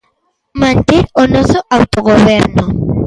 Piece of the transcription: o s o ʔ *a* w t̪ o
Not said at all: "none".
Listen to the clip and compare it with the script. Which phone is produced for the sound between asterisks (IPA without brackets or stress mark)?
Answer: a